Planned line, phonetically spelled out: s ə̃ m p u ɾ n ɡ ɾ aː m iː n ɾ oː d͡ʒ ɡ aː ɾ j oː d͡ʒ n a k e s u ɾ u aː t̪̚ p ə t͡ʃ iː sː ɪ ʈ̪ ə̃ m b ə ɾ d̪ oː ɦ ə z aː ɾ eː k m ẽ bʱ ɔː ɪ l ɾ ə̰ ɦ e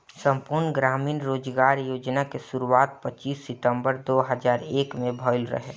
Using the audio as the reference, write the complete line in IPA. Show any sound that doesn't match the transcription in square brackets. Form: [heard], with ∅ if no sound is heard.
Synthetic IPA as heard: s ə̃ m p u ɾ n ɡ ɾ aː m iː n ɾ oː d͡ʒ ɡ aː ɾ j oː d͡ʒ n a k e s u ɾ u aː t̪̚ p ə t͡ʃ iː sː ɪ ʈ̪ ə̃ m b ə ɾ d̪ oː ɦ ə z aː ɾ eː k m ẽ bʱ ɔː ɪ l ɾ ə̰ ɦ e